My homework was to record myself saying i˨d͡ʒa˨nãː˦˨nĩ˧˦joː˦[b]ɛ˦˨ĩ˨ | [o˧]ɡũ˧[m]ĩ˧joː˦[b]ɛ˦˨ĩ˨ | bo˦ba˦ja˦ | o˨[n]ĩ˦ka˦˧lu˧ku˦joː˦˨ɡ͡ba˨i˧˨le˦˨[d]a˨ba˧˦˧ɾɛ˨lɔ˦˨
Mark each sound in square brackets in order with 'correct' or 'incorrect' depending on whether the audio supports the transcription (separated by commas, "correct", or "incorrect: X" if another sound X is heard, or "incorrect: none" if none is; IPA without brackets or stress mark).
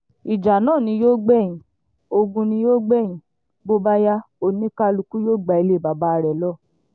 incorrect: ɡ͡b, correct, incorrect: n, incorrect: ɡ͡b, correct, incorrect: b